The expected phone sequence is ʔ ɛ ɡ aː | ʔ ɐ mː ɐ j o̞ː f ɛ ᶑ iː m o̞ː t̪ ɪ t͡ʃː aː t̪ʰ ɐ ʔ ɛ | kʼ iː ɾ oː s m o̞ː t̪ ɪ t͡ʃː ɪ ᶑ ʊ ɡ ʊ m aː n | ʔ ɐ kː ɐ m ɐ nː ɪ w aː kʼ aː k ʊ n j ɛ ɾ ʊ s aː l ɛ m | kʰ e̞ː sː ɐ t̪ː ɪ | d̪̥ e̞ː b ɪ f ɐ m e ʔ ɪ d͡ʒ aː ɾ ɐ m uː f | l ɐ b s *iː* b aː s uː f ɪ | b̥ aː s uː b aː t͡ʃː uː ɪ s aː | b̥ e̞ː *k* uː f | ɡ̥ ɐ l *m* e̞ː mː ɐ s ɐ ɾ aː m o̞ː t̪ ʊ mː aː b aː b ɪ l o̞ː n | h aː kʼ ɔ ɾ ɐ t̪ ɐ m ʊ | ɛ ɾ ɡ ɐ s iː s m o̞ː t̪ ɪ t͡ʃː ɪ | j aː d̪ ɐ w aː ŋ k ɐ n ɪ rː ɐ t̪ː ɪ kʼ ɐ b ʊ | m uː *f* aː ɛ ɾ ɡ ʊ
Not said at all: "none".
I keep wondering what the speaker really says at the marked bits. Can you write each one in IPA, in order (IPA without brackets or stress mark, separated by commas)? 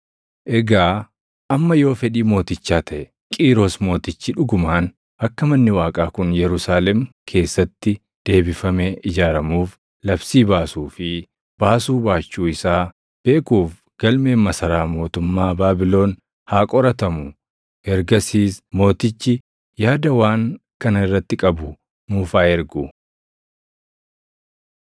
iː, k, m, f